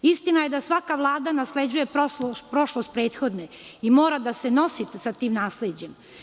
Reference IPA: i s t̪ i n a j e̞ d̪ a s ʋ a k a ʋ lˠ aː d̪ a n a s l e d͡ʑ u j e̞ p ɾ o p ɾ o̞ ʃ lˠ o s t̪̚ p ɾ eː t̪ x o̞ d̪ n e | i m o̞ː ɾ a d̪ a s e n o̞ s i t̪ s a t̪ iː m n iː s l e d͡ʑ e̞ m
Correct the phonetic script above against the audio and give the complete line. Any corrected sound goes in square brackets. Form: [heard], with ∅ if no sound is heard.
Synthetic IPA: i s t̪ i n a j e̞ d̪ a s ʋ a k a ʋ lˠ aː d̪ a n a s l e d͡ʑ u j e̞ p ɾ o p ɾ o̞ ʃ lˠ o s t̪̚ p ɾ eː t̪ x o̞ d̪ n e | i m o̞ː ɾ a d̪ a s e n o̞ s i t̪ s a t̪ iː m n [aː] s l e d͡ʑ e̞ m